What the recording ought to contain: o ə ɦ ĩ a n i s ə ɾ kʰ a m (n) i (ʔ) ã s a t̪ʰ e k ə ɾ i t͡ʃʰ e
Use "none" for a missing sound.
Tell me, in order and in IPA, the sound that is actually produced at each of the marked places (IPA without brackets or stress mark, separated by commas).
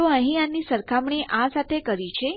ɳ, ʔ